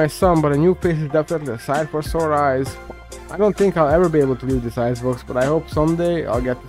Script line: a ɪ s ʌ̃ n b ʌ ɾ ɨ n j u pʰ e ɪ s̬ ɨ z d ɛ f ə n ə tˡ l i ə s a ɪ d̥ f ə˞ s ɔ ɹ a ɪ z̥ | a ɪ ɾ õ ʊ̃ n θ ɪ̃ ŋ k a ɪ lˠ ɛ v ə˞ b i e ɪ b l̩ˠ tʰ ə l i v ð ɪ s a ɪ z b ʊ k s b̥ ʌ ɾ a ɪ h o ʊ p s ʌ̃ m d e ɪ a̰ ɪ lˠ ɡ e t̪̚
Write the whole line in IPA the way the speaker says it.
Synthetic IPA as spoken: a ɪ s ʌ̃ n b ʌ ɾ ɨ n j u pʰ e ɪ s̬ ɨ z d ɛ f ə n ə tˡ l i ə s a ɪ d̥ f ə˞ s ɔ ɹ a ɪ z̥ | a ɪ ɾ õ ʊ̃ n θ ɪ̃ ŋ k a ɪ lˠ ɛ v ə˞ b i e ɪ b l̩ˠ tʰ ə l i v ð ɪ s a ɪ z b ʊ k s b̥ ʌ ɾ a ɪ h o ʊ p s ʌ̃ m d e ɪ a̰ ɪ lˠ ɡ ɛ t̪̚